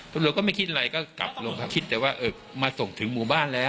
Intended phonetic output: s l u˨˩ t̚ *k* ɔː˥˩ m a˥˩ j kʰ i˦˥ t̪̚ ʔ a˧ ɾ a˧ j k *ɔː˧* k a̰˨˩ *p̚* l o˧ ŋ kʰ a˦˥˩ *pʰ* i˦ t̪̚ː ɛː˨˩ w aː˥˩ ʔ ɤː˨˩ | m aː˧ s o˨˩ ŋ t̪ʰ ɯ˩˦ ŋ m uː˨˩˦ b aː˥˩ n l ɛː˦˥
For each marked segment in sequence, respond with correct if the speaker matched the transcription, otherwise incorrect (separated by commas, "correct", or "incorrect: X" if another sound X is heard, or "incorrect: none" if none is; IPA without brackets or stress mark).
correct, incorrect: ɔː˥˩, correct, incorrect: kʰ